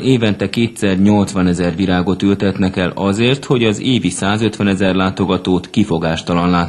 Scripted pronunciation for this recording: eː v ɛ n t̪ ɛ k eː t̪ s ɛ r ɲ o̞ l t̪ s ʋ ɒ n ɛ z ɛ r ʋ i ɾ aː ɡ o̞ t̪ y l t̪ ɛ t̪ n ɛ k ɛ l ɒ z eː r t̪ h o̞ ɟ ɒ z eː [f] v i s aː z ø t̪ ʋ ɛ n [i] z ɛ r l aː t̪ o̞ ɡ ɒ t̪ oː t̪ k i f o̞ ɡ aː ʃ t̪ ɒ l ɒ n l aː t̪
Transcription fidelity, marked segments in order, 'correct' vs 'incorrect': incorrect: none, incorrect: ɛ

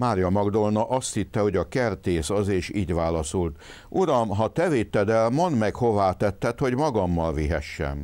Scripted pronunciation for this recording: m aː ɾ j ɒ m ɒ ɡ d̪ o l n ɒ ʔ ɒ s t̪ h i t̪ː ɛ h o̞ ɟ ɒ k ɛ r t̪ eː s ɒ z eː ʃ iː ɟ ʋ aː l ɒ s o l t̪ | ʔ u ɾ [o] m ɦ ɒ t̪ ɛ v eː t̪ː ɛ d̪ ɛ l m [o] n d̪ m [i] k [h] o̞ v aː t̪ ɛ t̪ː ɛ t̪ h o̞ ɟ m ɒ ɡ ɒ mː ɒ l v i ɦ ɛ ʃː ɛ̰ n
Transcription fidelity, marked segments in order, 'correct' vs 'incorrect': incorrect: ɒ, correct, incorrect: ɛ, correct

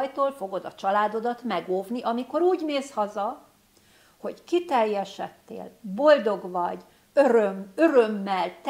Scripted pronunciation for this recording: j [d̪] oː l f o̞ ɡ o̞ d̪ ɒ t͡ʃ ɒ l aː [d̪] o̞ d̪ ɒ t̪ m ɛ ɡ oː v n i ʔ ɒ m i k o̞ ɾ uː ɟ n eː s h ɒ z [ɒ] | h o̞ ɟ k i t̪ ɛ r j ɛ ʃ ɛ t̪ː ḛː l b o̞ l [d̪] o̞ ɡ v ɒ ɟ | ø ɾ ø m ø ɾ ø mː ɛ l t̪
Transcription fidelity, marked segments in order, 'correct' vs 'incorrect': incorrect: t̪, correct, correct, correct

